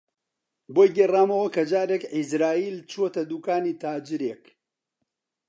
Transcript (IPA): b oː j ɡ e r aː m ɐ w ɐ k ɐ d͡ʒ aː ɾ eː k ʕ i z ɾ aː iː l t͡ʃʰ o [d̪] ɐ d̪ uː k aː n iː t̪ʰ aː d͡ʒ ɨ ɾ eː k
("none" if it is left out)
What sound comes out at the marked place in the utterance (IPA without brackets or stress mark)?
t̪